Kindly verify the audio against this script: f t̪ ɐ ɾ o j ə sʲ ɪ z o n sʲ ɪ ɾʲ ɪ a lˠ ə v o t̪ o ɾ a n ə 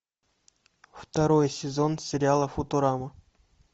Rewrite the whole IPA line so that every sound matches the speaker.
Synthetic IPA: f t̪ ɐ ɾ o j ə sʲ ɪ z o n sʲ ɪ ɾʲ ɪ a lˠ ə f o t̪ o ɾ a m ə